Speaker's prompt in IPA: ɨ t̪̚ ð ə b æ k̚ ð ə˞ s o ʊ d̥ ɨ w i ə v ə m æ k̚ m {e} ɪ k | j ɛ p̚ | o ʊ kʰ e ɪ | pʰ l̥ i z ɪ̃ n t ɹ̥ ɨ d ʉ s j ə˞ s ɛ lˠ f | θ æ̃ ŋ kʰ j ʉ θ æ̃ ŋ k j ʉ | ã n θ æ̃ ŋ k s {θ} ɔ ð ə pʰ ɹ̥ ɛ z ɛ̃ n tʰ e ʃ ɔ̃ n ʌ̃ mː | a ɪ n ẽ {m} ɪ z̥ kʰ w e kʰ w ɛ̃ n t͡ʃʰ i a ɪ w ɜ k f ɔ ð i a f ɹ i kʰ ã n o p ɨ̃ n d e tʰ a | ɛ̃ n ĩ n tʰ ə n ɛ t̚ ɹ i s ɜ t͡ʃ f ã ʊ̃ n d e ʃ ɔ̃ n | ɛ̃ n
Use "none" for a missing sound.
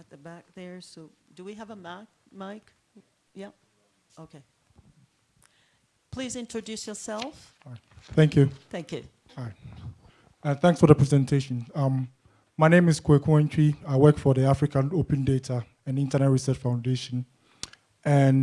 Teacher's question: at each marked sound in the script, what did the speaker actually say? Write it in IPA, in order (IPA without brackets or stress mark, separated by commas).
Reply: a, f, m